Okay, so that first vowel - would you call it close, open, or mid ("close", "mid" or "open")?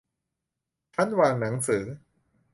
open